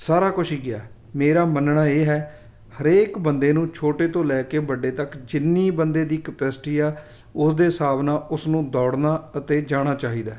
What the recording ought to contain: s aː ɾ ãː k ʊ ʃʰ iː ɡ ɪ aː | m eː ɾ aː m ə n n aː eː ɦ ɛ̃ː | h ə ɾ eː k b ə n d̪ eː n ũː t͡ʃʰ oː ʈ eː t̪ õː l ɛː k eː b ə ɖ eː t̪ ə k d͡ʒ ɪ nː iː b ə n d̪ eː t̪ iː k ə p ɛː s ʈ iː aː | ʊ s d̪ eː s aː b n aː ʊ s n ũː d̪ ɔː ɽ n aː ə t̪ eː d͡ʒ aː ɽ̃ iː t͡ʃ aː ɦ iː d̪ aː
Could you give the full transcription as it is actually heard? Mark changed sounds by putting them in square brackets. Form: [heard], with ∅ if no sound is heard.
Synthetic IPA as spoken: s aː ɾ [aː] k ʊ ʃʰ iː ɡ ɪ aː | m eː ɾ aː m ə n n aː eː ɦ [ɛː] | h ə ɾ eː k b ə n d̪ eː n ũː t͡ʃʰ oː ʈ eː t̪ õː l ɛː k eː b ə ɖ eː t̪ ə k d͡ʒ ɪ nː iː b ə n d̪ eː [d̪] iː k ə p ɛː s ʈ iː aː | ʊ s d̪ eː s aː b n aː ʊ s n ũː d̪ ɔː ɽ n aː ə t̪ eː d͡ʒ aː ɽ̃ [aː] t͡ʃ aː ɦ iː d̪ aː